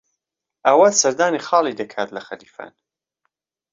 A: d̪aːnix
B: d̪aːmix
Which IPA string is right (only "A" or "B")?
A